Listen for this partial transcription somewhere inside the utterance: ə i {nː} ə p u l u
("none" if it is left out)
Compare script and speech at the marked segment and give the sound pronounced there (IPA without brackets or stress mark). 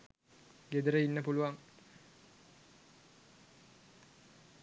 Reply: nː